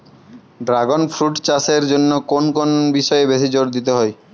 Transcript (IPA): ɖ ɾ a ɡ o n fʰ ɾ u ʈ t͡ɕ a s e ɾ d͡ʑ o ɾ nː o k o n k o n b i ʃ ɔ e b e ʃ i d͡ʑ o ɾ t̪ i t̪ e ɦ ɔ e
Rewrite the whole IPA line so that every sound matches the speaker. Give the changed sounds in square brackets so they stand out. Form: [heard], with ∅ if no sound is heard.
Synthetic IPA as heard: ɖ ɾ a ɡ o n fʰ ɾ u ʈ t͡ɕ a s e ɾ d͡ʑ o [∅] nː o k o n k o n b i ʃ ɔ e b e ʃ i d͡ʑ o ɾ [d̪] i t̪ e ɦ ɔ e